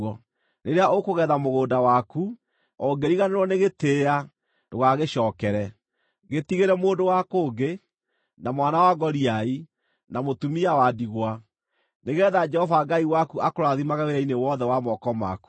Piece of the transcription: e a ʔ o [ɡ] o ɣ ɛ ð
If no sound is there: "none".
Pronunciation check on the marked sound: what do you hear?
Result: k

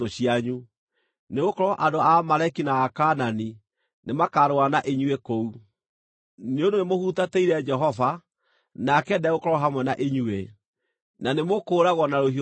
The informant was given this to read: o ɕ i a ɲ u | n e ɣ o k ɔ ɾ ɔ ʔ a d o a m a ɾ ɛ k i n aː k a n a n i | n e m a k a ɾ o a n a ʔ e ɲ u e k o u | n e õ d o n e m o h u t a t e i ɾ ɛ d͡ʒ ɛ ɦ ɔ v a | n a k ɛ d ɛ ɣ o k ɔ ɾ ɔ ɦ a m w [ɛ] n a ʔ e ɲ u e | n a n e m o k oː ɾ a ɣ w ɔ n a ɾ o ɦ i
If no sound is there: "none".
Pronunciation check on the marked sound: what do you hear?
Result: ɛ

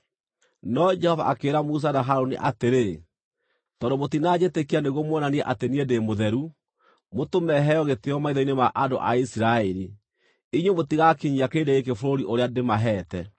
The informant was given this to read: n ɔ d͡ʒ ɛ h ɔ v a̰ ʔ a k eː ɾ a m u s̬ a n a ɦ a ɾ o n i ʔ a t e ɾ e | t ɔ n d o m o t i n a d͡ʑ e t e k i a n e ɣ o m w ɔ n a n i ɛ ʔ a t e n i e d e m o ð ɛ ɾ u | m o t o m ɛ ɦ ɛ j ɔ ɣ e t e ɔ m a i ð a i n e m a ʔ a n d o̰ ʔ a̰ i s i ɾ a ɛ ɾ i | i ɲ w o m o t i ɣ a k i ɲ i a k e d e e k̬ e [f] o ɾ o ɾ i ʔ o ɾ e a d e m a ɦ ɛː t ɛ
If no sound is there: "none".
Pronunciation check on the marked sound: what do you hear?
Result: f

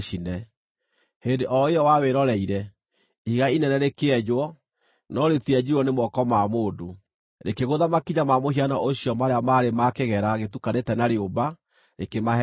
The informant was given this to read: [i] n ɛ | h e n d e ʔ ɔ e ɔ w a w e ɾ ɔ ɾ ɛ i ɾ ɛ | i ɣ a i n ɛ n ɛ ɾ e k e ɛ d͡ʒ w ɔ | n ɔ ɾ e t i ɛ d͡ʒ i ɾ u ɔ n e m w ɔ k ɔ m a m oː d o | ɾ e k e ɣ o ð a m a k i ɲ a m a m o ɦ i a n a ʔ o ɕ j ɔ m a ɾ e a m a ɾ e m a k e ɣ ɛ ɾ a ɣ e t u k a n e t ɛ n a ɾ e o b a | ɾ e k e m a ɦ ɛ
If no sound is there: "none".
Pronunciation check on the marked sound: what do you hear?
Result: i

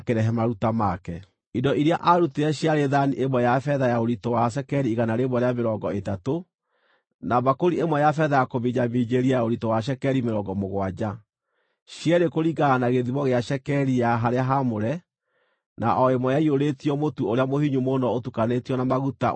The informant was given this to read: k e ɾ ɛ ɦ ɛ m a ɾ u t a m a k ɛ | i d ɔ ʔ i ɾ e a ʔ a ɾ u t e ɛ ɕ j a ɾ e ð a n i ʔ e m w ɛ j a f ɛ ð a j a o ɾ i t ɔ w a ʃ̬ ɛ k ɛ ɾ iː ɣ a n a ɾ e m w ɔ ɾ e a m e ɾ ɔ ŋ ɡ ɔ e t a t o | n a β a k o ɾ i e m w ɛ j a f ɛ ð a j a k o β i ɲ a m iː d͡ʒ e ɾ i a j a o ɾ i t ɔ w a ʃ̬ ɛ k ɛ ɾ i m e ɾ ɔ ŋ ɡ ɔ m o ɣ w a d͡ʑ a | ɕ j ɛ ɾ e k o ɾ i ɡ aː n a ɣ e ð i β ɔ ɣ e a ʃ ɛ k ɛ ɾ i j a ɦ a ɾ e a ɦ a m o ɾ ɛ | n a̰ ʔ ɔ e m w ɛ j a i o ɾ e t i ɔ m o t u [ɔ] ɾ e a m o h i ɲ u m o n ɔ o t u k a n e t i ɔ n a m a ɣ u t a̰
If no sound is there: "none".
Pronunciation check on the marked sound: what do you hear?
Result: o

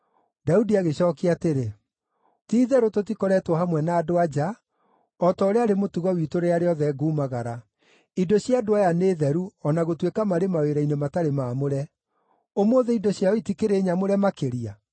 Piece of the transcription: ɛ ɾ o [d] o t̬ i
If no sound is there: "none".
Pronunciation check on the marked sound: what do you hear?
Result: t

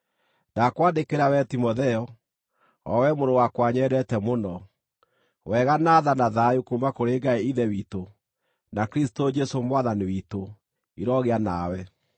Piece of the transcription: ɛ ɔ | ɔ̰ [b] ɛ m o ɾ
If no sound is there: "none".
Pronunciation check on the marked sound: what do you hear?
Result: w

